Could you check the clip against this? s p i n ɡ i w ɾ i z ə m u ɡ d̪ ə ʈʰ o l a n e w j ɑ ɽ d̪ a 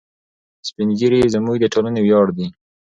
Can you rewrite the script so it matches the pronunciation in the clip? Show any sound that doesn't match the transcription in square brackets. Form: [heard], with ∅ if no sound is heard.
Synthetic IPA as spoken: s p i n ɡ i [∅] ɾ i z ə m u ɡ d̪ ə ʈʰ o l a n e w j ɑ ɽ d̪ [i]